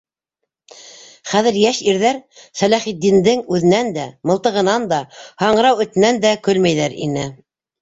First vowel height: low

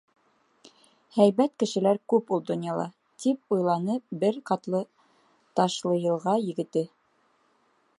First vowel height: low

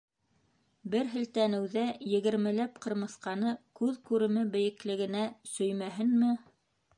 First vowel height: mid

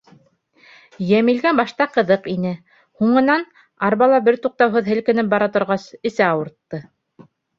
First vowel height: low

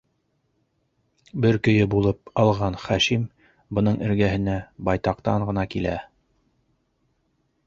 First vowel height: mid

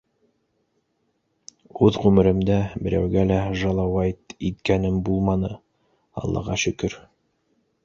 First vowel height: high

